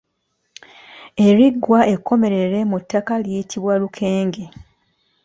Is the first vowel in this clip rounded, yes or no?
no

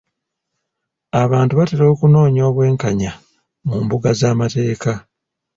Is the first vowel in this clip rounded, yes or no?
no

